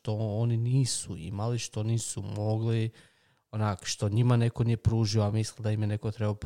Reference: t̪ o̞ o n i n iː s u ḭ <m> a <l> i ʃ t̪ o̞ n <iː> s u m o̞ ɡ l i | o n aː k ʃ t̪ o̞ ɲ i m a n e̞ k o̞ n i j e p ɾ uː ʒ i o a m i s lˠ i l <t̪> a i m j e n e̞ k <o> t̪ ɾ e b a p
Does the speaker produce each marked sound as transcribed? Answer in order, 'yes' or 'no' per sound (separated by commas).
yes, yes, yes, no, yes